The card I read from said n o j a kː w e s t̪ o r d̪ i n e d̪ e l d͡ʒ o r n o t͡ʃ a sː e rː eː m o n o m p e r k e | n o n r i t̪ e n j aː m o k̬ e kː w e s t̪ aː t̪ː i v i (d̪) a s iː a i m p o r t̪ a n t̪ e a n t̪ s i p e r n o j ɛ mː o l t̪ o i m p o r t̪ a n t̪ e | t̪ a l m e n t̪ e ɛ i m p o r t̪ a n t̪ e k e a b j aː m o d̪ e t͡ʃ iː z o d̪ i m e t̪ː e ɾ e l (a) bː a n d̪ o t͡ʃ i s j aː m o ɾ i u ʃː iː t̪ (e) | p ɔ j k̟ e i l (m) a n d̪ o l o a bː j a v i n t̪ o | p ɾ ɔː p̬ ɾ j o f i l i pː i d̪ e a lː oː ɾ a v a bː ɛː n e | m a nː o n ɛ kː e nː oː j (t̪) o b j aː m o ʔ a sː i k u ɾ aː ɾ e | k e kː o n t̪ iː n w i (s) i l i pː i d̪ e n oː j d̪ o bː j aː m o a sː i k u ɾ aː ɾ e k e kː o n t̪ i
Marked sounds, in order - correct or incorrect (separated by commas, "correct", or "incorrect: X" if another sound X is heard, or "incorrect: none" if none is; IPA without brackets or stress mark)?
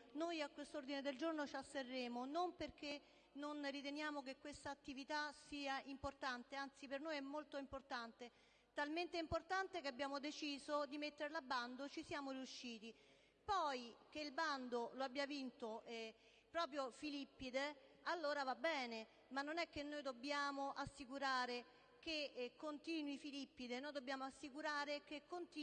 incorrect: t̪, correct, incorrect: i, incorrect: b, incorrect: d̪, incorrect: f